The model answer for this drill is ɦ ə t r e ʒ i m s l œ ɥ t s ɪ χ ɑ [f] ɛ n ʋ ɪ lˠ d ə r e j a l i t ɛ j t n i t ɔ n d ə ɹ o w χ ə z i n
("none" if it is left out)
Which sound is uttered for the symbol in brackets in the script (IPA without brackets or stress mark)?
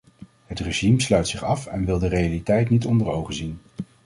f